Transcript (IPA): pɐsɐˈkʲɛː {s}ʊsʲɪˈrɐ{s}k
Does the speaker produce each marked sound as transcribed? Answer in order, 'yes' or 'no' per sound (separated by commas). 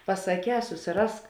yes, yes